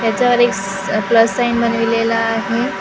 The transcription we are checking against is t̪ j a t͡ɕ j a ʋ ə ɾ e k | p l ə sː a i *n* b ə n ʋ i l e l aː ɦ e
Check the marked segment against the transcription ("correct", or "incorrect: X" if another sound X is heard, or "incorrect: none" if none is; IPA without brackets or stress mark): correct